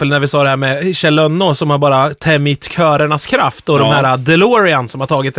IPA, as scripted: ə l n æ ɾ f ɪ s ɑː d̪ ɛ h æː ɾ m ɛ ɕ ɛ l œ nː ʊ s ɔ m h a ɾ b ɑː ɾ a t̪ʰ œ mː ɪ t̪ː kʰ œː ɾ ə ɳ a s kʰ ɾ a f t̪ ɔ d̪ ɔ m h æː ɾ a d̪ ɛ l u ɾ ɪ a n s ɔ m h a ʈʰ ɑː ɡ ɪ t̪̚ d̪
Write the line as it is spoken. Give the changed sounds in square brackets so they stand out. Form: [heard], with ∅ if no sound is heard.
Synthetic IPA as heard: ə l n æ ɾ [v] ɪ s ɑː d̪ ɛ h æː ɾ m ɛ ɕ ɛ l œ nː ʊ s ɔ m h a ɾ b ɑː ɾ a t̪ʰ [ɛ] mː ɪ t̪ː kʰ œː ɾ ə ɳ a s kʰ ɾ a f t̪ ɔ d̪ ɔ m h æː ɾ a d̪ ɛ l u ɾ ɪ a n s ɔ m h a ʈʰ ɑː ɡ ɪ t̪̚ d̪